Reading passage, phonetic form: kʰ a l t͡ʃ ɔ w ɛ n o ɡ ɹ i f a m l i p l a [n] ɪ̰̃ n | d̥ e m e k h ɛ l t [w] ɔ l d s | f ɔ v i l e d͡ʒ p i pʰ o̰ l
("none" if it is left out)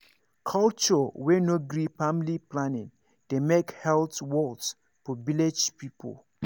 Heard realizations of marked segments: n, w

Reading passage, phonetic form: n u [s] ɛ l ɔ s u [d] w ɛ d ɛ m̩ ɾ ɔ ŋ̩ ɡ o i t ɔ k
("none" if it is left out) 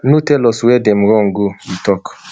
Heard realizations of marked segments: t, none

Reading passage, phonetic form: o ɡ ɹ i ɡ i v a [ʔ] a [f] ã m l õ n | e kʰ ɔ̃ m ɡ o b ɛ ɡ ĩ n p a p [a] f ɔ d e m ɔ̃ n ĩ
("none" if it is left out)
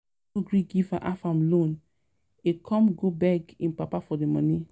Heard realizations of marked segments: ʔ, f, a

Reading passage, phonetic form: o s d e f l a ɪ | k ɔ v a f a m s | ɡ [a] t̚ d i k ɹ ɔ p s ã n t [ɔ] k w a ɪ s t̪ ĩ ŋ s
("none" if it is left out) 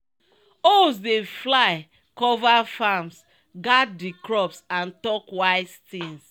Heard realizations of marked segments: a, ɔ

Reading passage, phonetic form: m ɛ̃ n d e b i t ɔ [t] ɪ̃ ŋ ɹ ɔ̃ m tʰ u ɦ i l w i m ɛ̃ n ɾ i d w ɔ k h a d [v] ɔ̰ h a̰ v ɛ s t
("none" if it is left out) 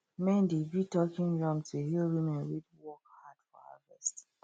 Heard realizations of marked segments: k, f

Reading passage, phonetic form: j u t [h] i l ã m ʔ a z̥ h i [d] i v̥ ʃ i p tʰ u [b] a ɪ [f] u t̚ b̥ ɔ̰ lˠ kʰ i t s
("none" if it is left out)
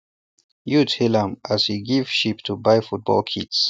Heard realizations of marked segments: h, ɡ, b, f

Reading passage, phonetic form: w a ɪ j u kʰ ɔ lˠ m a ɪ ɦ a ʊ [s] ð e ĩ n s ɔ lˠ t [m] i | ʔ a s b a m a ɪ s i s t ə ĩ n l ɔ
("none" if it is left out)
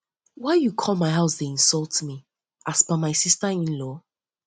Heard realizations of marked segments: s, m

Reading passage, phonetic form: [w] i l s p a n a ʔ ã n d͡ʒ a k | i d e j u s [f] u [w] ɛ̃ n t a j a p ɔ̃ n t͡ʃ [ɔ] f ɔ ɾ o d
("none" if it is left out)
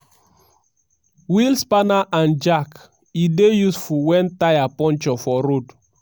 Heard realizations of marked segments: w, f, w, ɔ

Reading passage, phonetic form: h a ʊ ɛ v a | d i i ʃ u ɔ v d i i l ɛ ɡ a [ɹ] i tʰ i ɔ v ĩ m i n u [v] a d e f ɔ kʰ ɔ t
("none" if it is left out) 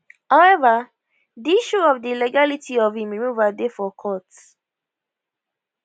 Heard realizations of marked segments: l, v

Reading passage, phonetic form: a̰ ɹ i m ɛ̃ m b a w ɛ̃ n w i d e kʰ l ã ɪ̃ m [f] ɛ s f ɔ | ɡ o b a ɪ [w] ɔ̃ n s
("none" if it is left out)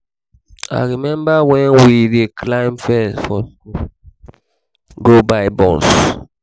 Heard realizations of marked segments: f, b

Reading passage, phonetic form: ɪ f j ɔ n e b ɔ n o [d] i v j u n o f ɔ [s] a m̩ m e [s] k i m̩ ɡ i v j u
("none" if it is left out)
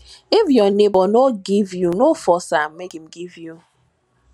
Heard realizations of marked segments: ɡ, s, none

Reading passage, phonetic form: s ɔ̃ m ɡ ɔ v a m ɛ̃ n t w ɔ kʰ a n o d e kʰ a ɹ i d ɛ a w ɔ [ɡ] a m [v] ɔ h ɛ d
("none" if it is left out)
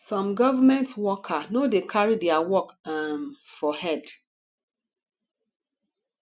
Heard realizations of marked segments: k, f

